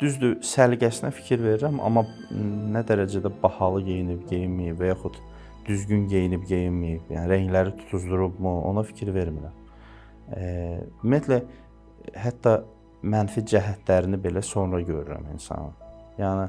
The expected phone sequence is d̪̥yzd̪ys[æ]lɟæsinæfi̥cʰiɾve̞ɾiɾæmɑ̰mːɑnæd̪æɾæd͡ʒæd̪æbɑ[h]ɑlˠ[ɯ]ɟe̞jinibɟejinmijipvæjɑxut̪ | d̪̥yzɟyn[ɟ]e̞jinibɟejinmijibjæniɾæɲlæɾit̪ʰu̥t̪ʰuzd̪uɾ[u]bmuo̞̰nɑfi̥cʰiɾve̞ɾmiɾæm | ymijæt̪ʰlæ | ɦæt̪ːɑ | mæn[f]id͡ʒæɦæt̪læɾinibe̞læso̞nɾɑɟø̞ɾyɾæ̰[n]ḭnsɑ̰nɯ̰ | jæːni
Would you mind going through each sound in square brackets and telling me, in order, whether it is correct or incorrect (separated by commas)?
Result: correct, correct, correct, correct, correct, correct, incorrect